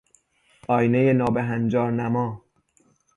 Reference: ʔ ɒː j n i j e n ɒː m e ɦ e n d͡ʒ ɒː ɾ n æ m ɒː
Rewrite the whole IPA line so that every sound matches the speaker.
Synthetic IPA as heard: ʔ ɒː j n e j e n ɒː b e ɦ æ n d͡ʒ ɒː ɾ n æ m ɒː